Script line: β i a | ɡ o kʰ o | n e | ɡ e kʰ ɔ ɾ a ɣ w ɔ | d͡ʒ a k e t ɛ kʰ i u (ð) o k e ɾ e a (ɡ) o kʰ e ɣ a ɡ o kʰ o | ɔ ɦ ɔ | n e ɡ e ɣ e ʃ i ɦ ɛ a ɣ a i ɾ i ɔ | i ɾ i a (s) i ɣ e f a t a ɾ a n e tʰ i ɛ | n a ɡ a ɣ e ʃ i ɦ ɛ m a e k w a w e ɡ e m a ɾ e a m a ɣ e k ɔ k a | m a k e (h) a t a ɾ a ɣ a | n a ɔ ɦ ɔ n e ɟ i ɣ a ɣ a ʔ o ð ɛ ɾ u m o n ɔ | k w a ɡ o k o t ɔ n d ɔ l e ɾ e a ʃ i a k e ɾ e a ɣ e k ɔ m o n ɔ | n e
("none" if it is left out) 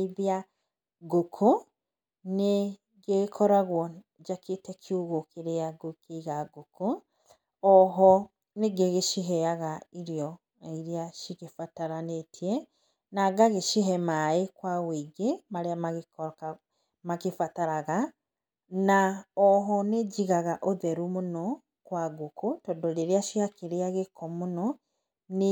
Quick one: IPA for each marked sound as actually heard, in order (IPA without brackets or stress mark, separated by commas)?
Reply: ɣ, ɡ, ʃ, f